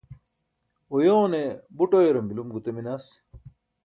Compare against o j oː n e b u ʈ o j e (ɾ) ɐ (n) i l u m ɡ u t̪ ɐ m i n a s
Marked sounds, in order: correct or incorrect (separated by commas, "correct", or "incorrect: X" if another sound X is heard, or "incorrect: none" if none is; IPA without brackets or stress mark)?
correct, incorrect: m